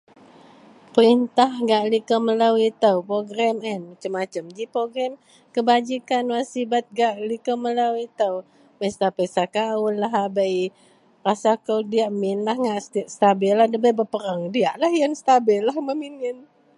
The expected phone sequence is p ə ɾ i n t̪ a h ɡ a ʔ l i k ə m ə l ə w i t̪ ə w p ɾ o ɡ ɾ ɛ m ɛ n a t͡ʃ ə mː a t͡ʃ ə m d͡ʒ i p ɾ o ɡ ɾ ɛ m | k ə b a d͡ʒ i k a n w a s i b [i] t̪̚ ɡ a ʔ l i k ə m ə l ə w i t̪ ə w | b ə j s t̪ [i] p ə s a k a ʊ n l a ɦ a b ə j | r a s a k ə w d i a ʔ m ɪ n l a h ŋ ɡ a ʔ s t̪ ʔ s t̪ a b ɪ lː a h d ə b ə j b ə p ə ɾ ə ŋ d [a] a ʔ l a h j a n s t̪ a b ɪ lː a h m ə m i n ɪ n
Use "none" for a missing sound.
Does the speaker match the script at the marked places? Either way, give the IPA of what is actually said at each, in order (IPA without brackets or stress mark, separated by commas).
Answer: a, a, i